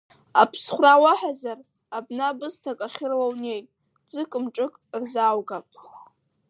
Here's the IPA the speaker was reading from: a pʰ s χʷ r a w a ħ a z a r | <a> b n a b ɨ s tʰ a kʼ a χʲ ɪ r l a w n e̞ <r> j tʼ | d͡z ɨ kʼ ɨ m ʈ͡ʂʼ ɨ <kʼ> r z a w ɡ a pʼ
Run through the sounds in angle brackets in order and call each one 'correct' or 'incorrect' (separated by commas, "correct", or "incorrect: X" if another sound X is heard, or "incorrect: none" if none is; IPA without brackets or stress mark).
correct, incorrect: none, correct